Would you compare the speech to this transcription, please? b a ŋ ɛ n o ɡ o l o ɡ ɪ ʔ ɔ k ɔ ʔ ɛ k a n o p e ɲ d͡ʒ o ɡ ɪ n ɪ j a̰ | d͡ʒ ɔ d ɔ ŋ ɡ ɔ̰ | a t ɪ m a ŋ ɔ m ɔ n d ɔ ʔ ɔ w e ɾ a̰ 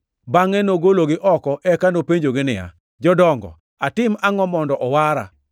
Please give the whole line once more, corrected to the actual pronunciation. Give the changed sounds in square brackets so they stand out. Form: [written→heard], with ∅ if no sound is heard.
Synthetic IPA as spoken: b a ŋ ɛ n o ɡ o l o ɡ ɪ ʔ ɔ k ɔ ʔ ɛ k a n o p e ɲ d͡ʒ o ɡ ɪ n ɪ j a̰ | d͡ʒ ɔ d ɔ ŋ ɡ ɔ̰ | a t ɪ m a ŋ ɔ m ɔ n d ɔ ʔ ɔ w [e→a] ɾ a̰